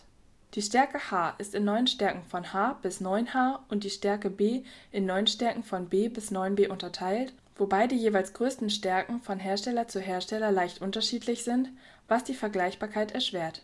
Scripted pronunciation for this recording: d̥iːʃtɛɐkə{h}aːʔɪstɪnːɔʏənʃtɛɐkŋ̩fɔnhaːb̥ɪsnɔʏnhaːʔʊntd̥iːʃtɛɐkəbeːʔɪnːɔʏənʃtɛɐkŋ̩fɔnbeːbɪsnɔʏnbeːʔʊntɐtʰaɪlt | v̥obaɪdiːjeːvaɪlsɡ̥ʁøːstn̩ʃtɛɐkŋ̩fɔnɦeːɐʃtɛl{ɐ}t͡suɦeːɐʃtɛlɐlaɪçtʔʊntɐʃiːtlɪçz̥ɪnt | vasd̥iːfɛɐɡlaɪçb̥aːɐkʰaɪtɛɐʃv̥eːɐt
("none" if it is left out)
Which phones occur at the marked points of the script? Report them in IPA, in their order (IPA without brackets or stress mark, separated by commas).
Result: h, ɐ